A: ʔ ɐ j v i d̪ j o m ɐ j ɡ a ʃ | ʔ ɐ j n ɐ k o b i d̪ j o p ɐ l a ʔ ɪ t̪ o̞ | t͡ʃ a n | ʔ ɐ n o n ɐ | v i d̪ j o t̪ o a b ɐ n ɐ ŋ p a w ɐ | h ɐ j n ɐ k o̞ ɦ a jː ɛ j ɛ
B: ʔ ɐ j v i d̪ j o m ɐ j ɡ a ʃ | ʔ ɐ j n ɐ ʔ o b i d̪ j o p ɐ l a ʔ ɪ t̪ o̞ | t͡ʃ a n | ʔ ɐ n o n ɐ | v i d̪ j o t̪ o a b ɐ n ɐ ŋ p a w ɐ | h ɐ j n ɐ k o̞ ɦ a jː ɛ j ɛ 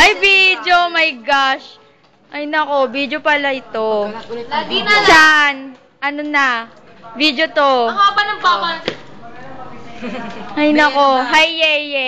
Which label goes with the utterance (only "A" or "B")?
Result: A